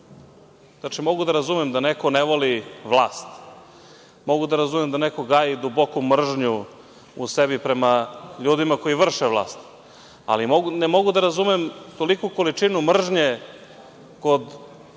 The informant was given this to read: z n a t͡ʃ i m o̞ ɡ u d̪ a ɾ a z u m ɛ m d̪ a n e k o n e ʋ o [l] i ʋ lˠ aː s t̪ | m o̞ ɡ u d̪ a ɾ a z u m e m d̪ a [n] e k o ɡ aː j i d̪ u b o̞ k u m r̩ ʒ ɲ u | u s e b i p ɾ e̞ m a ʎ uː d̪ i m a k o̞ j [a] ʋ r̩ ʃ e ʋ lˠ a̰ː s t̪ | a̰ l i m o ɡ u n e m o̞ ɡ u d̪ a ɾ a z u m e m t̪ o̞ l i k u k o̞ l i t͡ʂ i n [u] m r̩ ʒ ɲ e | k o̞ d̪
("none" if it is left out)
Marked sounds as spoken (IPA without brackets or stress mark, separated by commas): l, n, i, u